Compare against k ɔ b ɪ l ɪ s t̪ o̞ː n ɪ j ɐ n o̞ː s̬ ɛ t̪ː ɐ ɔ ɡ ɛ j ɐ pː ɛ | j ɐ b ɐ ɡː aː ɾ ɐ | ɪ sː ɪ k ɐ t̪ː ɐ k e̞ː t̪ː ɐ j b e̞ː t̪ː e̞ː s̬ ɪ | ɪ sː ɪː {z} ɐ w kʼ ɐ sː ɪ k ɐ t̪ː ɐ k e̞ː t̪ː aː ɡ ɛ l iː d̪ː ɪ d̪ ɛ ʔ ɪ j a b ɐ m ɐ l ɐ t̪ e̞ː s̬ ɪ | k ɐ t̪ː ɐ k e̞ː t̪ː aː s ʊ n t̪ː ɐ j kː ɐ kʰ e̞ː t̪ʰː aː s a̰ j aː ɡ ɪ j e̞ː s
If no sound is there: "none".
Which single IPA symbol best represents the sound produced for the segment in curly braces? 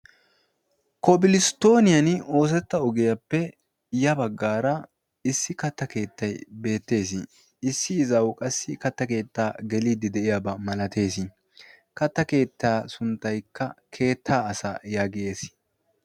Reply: z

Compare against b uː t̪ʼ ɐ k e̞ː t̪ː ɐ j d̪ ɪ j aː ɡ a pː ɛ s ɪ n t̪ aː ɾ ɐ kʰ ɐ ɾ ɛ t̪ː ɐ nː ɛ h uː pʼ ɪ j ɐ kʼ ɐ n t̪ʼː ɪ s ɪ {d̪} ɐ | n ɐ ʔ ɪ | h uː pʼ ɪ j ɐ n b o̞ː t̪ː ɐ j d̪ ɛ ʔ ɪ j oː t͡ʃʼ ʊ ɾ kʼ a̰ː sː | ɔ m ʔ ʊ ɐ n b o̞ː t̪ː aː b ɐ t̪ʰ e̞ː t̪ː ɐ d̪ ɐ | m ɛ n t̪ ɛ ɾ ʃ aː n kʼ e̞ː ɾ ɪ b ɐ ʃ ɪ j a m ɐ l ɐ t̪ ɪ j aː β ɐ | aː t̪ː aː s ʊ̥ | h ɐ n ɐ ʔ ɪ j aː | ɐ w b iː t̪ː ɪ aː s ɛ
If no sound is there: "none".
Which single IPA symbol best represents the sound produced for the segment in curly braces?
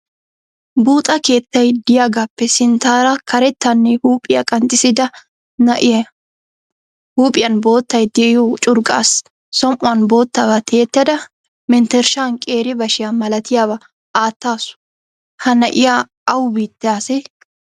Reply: d̪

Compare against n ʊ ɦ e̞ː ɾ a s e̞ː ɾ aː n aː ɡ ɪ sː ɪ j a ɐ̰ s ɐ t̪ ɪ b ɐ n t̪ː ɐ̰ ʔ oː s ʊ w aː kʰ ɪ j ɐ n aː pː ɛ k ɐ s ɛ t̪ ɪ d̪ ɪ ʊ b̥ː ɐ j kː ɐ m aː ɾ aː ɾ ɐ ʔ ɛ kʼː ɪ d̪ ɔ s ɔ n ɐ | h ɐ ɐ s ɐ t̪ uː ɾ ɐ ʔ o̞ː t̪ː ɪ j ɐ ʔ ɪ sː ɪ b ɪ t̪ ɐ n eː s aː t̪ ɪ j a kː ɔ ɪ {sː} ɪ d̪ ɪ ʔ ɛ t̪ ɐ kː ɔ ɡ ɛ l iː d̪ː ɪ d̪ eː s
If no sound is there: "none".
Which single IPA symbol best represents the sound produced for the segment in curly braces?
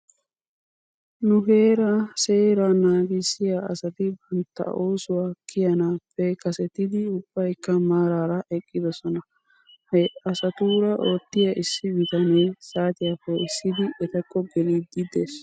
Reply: sː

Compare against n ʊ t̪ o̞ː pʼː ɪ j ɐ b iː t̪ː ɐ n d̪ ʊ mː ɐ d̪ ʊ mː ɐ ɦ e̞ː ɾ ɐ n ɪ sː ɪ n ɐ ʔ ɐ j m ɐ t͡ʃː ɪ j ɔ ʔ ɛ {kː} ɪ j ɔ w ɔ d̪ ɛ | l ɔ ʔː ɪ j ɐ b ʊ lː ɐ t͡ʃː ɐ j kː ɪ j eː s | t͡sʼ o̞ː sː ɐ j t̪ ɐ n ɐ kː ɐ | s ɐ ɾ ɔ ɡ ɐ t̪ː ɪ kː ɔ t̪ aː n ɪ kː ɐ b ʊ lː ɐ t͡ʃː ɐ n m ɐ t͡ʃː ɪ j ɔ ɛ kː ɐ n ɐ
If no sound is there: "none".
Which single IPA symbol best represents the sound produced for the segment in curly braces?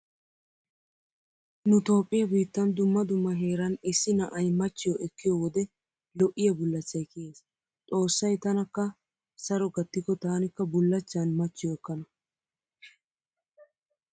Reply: kː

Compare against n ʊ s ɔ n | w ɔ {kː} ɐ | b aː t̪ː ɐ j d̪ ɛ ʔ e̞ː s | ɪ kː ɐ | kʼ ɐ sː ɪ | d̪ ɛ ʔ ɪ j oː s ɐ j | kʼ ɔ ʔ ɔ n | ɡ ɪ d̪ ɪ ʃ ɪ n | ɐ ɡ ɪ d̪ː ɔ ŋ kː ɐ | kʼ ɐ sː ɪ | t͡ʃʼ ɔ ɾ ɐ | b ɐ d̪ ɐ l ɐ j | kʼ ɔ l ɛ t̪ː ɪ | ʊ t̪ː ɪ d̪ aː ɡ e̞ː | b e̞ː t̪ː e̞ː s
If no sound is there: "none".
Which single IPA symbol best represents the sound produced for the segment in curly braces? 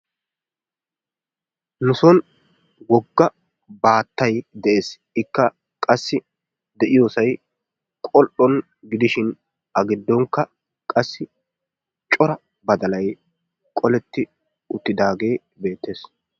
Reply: ɡː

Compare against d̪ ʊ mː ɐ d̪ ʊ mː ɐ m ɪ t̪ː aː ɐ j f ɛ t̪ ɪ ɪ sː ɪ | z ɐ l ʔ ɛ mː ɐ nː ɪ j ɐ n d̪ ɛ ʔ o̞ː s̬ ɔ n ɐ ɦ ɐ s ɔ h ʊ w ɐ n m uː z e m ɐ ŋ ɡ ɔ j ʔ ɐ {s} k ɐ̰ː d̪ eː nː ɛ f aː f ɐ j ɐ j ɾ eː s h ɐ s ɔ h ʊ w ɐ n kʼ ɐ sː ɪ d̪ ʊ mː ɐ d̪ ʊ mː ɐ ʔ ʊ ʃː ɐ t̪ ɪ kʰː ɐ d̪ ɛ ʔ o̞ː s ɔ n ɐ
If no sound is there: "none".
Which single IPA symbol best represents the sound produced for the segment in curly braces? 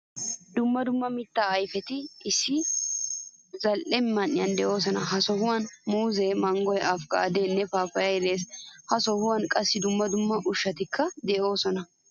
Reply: f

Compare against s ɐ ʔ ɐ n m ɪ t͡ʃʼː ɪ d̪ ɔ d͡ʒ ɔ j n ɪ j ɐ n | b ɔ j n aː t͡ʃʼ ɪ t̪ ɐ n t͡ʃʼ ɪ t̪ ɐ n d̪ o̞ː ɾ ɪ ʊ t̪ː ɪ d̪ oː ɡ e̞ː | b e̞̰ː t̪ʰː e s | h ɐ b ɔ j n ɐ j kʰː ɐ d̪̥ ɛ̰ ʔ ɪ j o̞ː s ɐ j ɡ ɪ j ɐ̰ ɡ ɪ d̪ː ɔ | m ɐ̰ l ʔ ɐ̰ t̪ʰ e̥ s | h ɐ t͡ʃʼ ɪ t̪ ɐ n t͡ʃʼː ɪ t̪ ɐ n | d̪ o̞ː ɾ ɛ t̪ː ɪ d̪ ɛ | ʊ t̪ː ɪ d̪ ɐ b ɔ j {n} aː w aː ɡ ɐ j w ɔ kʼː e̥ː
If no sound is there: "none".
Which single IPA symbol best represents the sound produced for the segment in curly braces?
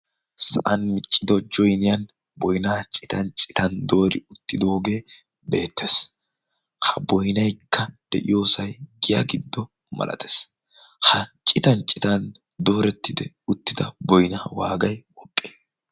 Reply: n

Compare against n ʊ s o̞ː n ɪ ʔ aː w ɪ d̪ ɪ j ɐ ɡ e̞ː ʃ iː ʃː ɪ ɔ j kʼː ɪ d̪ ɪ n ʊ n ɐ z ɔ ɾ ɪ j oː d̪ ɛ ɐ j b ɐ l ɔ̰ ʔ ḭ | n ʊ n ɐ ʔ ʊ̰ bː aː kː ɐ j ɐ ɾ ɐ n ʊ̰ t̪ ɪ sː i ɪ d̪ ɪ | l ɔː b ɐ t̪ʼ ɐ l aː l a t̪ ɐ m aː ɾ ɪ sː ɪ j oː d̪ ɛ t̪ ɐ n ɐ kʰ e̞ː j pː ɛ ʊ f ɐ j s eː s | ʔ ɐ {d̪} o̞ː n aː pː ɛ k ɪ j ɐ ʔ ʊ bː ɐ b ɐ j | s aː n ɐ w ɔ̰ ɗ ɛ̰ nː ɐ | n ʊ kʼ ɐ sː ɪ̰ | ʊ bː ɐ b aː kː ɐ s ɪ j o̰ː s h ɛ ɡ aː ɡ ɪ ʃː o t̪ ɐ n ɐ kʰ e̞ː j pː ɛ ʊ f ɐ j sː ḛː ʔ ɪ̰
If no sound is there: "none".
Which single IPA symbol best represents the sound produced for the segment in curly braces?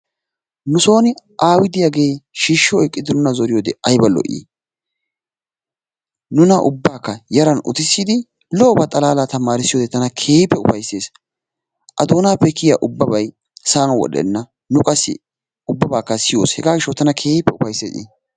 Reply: d̪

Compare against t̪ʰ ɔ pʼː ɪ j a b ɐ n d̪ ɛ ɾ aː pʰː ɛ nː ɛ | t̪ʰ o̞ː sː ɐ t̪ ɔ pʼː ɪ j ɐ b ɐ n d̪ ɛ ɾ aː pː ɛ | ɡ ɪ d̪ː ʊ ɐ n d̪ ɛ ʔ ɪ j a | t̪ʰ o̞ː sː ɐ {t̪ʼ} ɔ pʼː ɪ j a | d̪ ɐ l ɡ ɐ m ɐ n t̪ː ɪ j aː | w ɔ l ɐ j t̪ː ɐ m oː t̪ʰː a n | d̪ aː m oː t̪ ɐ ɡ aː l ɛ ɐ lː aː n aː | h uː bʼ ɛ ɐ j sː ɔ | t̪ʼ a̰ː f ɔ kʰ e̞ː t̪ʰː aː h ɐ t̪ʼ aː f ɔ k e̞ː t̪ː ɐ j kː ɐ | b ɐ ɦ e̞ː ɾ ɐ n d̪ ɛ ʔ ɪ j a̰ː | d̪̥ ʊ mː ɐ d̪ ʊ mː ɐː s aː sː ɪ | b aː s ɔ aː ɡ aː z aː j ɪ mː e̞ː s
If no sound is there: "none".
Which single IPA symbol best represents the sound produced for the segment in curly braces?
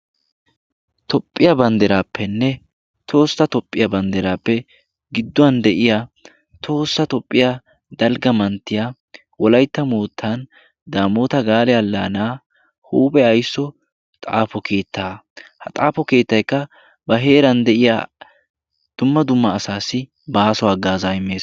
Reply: t̪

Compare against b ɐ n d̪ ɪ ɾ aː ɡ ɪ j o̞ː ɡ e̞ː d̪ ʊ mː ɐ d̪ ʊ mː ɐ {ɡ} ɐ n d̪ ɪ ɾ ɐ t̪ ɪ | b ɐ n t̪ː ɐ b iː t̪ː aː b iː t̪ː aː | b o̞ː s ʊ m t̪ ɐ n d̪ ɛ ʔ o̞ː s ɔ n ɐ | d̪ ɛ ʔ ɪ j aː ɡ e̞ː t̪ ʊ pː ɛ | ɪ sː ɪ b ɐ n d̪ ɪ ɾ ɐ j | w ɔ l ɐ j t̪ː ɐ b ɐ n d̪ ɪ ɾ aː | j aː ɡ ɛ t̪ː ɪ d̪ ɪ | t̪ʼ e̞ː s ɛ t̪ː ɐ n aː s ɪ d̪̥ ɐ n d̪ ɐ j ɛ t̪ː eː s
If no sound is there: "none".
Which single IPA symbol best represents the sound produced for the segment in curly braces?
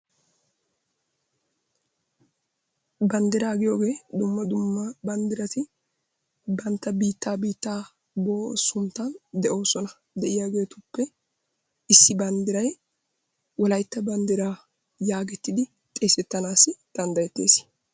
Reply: b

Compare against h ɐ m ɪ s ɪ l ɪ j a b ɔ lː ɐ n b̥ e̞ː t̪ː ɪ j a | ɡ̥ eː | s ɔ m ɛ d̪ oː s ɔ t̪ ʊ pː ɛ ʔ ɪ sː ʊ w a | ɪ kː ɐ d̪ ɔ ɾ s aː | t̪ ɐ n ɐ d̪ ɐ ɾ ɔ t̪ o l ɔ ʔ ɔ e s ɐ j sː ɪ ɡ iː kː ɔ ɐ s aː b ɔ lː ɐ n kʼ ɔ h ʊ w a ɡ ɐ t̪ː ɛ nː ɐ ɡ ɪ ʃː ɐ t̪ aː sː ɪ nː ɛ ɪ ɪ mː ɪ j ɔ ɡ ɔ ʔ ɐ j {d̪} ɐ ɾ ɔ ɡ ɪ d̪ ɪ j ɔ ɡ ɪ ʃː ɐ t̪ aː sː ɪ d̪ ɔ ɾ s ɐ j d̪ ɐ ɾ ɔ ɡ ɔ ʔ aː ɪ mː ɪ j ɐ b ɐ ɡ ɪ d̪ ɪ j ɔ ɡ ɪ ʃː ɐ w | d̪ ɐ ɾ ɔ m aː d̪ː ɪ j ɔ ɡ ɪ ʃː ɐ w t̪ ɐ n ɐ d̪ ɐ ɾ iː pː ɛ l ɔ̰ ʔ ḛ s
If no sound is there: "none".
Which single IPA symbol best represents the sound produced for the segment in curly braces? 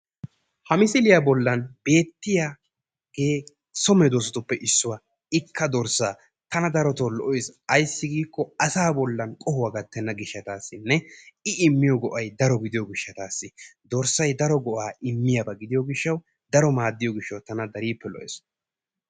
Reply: d̪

